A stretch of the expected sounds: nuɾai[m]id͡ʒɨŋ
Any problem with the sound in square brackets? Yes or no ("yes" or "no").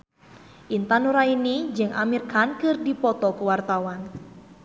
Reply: yes